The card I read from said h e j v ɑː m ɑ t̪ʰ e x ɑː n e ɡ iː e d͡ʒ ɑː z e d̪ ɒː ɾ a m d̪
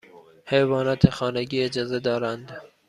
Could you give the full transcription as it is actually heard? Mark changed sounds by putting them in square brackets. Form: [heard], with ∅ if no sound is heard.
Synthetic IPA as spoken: h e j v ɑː [n] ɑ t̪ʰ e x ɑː n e ɡ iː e d͡ʒ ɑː z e d̪ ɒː ɾ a [n] d̪